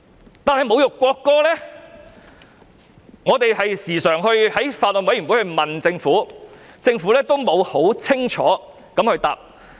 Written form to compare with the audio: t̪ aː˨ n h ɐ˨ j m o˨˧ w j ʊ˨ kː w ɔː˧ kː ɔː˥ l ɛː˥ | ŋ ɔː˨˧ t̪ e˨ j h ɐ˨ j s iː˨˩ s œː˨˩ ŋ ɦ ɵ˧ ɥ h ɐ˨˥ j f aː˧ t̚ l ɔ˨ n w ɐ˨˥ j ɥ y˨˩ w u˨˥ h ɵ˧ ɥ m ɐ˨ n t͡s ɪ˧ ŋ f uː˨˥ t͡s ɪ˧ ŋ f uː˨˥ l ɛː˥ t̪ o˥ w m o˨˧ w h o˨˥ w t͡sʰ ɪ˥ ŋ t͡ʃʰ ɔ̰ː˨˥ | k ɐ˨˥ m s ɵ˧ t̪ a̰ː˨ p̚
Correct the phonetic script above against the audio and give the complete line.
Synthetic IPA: t̪ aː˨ n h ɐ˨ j m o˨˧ w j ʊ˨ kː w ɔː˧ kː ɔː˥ l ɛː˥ | ŋ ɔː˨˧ t̪ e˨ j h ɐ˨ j s iː˨˩ s œː˨˩ ŋ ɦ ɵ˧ ɥ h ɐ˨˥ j f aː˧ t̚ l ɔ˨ n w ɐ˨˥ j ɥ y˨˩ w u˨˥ h ɵ˧ ɥ m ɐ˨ n t͡s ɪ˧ ŋ f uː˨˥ t͡s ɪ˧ ŋ f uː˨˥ l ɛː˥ t̪ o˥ w m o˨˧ w h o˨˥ w t͡sʰ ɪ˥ ŋ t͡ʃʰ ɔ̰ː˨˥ | k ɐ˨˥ m h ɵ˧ t̪ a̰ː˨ p̚

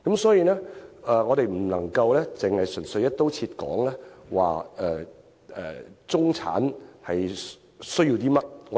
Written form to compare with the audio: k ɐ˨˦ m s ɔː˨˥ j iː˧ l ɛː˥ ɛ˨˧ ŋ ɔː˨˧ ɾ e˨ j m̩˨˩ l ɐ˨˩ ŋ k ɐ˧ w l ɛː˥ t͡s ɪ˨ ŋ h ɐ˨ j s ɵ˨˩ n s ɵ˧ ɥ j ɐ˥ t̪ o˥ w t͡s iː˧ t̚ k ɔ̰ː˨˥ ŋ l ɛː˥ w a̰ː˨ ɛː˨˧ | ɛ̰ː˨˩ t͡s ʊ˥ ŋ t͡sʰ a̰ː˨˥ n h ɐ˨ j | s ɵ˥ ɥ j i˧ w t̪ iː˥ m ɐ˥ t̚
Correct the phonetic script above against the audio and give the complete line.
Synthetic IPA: k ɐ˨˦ m s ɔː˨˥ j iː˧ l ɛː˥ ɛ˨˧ ŋ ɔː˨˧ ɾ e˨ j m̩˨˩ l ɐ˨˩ ŋ k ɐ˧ w l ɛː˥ t͡s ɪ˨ ŋ h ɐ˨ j s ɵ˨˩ n s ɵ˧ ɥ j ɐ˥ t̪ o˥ w t͡sʰ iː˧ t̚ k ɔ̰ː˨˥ ŋ l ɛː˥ w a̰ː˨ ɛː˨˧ | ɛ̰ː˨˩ t͡s ʊ˥ ŋ t͡sʰ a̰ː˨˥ n h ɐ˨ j | s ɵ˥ ɥ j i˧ w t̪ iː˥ m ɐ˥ t̚

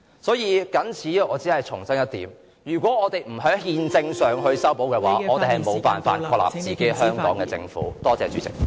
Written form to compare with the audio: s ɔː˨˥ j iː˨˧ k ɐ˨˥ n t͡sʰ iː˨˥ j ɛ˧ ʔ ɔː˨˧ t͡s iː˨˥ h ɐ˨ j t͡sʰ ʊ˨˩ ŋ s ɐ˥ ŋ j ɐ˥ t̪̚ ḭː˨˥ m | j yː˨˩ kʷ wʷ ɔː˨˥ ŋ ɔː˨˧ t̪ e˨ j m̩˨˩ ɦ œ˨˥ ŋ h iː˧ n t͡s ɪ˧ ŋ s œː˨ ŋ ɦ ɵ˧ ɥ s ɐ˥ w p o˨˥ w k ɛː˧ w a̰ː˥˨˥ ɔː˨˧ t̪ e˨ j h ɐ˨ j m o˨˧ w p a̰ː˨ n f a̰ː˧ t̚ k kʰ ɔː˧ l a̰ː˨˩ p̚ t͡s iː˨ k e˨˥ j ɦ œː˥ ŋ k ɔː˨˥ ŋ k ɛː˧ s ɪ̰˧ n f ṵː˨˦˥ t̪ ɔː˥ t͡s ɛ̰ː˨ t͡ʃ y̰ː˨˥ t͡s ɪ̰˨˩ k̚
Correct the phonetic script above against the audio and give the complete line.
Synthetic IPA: s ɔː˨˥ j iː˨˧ k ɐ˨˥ n t͡sʰ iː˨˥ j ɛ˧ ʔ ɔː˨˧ t͡s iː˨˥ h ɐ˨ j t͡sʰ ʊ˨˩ ŋ s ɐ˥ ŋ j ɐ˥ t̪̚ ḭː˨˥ m | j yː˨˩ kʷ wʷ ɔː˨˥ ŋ ɔː˨˧ t̪ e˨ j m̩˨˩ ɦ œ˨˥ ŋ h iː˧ n t͡s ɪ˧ ŋ s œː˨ ŋ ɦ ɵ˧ ɥ s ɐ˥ w p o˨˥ w k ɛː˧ w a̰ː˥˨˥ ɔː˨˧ t̪ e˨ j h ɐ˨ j m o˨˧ w p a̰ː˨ n f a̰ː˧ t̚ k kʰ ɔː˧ l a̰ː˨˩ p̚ t͡s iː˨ k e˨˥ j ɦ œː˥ ŋ k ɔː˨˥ ŋ k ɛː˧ t͡s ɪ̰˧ ŋ f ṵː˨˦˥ t̪ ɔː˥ t͡s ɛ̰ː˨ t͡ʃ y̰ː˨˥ t͡s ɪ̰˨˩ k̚

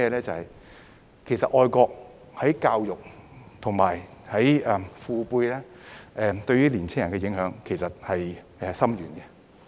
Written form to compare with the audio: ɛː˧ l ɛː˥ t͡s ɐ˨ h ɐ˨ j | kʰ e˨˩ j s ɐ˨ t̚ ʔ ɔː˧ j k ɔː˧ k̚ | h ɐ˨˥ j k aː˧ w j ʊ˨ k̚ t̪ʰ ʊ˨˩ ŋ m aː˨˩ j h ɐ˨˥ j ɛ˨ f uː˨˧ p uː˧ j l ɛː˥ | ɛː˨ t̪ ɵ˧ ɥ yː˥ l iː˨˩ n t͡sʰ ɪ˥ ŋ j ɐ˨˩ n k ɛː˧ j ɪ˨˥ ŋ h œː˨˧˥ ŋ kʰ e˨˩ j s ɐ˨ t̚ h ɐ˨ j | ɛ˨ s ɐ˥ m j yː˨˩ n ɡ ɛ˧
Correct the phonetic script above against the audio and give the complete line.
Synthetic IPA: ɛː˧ l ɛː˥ t͡s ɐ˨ h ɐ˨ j | kʰ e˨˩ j s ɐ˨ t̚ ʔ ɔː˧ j k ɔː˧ k̚ | h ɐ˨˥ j k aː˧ w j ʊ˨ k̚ t̪ʰ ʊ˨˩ ŋ m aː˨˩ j h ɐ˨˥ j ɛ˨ f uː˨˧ p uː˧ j l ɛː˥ | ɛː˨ t̪ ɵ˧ ɥ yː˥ l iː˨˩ n t͡sʰ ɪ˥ ŋ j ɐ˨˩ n k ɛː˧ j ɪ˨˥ ŋ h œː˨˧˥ ŋ kʰ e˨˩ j s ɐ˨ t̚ h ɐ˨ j | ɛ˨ s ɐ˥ m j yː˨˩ n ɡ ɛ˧

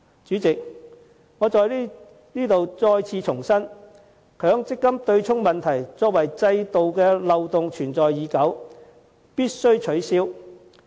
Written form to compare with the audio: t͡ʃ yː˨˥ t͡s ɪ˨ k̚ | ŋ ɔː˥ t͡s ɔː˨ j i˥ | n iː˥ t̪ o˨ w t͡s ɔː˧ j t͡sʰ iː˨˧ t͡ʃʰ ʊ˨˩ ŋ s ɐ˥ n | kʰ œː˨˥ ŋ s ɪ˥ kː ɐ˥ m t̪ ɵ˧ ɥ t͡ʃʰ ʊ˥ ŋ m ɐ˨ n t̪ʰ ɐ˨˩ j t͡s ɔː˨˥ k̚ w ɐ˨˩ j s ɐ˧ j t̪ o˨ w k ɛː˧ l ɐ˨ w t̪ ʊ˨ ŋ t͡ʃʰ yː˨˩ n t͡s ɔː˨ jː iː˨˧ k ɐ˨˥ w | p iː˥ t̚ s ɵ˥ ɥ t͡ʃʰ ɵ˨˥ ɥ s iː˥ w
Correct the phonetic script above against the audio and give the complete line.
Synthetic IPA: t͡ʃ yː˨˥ t͡s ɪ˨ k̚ | ŋ ɔː˨˧ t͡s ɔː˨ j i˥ | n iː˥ t̪ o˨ w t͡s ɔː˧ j t͡sʰ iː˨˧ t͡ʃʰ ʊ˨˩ ŋ s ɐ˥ n | kʰ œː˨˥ ŋ t͡s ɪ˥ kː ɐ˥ m t̪ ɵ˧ ɥ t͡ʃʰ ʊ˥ ŋ m ɐ˨ n t̪ʰ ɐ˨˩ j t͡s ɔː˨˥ k̚ w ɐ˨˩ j t͡s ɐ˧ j t̪ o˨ w k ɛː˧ l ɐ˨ w t̪ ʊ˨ ŋ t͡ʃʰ yː˨˩ n t͡s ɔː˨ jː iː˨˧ k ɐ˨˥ w | p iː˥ t̚ s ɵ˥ ɥ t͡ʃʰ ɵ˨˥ ɥ s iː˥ w

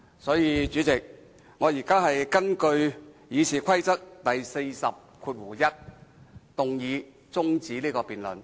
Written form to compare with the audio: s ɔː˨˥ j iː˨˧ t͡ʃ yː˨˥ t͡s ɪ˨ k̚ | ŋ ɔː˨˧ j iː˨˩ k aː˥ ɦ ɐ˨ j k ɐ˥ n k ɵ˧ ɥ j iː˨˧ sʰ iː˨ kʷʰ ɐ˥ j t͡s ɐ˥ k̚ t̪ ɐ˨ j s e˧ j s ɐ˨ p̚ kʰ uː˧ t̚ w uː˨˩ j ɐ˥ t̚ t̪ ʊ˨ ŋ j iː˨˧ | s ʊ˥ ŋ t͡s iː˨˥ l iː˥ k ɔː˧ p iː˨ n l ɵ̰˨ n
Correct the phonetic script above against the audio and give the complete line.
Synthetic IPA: s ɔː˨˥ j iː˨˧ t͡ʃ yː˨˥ t͡s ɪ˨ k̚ | ŋ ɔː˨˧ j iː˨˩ k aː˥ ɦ ɐ˨ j k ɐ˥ n k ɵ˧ ɥ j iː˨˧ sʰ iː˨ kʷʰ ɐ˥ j t͡s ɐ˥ k̚ t̪ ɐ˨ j s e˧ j s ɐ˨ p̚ kʰ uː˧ t̚ w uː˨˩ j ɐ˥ t̚ t̪ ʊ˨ ŋ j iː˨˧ | t͡s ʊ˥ ŋ t͡s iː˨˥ l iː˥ k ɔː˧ p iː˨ n l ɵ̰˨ n

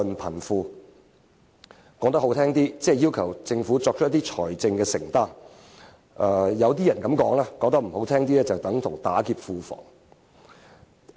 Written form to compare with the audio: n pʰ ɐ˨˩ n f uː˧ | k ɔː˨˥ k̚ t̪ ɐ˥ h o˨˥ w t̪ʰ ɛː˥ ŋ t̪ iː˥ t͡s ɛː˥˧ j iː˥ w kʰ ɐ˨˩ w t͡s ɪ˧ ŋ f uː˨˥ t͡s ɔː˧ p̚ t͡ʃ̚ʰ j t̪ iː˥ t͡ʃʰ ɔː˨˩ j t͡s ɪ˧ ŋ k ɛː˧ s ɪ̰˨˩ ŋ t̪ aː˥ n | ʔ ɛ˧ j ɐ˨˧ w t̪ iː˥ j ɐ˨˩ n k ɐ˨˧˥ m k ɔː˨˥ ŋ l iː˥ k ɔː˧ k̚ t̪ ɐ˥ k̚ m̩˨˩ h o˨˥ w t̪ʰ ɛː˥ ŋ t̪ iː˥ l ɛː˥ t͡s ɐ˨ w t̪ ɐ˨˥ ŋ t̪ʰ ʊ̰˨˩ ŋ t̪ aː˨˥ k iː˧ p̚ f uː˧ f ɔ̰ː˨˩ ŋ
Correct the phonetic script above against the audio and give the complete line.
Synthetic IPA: n pʰ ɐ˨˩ n f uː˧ | k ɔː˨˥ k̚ t̪ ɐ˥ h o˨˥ w t̪ʰ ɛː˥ ŋ t̪ iː˥ t͡s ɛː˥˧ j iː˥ w kʰ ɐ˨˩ w t͡s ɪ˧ ŋ f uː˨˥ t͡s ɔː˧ k̚ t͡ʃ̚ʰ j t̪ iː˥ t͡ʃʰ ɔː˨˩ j t͡s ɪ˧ ŋ k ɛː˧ s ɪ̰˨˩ ŋ t̪ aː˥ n | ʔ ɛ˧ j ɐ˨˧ w t̪ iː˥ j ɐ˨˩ n k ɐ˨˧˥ m k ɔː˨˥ ŋ l aː˥ k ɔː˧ k̚ t̪ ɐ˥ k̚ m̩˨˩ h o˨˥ w t̪ʰ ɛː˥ ŋ t̪ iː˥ l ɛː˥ t͡s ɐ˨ w t̪ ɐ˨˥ ŋ t̪ʰ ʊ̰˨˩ ŋ t̪ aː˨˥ k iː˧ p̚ f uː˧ f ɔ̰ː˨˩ ŋ

